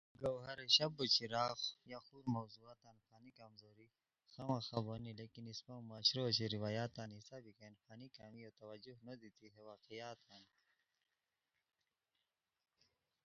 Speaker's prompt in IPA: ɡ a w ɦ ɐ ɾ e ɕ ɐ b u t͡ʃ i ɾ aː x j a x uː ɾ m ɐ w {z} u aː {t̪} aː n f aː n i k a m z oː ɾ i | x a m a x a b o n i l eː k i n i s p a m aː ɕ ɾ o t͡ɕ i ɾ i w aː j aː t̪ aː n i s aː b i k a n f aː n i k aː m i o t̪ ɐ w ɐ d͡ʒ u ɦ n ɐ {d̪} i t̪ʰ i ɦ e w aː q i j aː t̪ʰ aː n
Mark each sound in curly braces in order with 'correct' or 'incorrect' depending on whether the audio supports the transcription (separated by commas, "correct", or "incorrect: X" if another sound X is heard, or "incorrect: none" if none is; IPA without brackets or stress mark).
correct, correct, correct